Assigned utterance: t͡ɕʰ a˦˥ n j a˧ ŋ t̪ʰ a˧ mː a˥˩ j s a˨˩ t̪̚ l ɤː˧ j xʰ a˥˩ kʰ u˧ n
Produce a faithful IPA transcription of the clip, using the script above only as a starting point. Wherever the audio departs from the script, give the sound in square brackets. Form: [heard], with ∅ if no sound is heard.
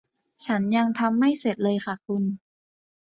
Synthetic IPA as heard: t͡ɕʰ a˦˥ n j a˧ ŋ t̪ʰ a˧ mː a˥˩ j s [e˨˩] t̪̚ l ɤː˧ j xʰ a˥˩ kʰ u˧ n